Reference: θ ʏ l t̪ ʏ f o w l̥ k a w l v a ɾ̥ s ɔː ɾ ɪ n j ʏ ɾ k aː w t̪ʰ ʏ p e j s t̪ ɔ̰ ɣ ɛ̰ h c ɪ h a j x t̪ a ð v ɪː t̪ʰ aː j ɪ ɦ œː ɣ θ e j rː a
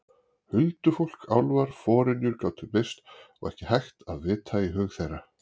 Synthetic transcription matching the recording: h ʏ l t̪ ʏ f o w l̥ k a w l v a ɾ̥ f ɔː ɾ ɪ n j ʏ ɾ k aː w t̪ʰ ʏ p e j s t̪ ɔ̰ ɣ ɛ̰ h c ɪ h a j x t̪ a ð v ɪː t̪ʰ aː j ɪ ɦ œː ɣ θ e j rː a